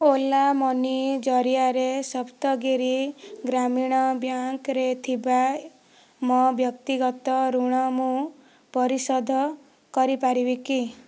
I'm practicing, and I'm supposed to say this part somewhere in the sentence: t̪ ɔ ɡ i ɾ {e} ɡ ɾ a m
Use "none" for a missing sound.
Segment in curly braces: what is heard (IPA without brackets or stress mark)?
i